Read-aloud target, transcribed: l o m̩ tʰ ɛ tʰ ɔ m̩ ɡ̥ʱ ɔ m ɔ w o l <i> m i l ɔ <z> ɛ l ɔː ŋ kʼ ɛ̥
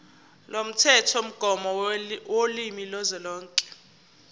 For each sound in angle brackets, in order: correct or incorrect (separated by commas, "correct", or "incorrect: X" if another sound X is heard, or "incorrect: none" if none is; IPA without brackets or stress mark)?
correct, correct